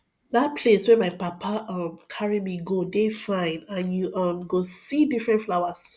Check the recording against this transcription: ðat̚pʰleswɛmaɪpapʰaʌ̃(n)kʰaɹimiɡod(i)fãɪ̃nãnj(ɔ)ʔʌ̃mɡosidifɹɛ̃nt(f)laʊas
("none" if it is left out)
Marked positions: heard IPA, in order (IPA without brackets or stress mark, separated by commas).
m, e, u, f